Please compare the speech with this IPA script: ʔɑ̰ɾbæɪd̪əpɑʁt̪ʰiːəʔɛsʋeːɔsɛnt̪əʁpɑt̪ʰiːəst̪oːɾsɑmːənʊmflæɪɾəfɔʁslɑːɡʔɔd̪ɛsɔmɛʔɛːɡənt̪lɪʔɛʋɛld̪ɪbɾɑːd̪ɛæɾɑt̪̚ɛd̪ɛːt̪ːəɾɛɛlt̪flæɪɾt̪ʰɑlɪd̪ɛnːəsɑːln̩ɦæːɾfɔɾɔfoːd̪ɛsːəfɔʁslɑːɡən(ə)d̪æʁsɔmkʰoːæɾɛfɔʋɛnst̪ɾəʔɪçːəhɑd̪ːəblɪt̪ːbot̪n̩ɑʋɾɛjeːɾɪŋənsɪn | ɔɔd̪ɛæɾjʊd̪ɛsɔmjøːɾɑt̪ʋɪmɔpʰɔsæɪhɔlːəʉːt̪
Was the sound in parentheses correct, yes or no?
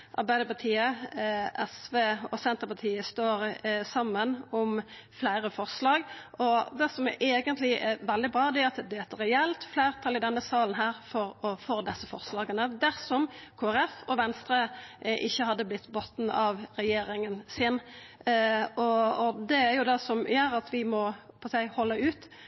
yes